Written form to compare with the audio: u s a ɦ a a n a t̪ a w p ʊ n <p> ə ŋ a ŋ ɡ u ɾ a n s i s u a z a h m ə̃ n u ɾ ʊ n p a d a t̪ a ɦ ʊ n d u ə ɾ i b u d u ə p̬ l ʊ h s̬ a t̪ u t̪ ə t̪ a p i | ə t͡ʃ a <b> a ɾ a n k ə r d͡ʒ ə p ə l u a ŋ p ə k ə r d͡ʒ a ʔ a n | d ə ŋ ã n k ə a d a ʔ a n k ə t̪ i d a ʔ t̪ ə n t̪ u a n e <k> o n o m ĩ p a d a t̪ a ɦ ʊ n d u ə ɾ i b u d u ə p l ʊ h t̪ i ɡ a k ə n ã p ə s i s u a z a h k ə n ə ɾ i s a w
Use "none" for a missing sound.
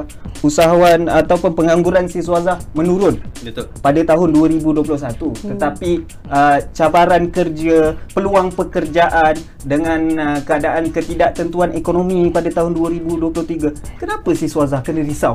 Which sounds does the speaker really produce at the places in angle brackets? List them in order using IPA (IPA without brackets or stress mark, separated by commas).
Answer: p, b, k